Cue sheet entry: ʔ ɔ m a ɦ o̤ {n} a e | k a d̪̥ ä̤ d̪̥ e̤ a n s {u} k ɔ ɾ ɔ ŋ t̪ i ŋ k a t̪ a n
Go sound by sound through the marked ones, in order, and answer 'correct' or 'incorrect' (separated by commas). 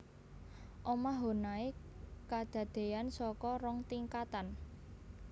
correct, incorrect